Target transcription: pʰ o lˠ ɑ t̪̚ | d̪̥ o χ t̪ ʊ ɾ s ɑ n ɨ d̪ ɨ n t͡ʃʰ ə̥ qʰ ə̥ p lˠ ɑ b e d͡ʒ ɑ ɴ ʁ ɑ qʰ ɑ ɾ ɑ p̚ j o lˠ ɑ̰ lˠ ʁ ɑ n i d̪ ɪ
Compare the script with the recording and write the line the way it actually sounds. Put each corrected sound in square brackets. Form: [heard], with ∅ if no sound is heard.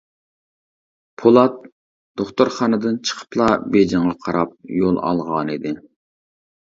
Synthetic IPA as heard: pʰ o lˠ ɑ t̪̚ | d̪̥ o χ t̪ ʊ ɾ [χ] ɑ n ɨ d̪ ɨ n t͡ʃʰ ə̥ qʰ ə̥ p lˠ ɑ b e d͡ʒ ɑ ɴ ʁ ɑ qʰ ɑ ɾ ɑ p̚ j o lˠ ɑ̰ lˠ ʁ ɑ n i d̪ ɪ